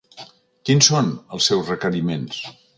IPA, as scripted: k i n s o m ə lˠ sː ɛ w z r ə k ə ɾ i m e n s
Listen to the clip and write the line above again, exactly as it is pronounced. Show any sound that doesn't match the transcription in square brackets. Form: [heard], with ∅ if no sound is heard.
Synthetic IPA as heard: k i n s o [n] ə lˠ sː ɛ w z r ə k ə ɾ i m e n s